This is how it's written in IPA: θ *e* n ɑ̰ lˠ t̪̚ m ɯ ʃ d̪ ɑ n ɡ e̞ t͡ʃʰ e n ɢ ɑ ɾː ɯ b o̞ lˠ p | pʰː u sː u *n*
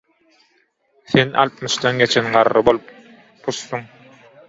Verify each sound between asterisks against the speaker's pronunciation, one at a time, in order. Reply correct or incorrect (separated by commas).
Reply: correct, incorrect